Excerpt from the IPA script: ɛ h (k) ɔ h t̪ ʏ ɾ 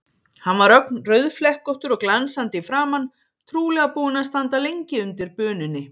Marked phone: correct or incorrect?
correct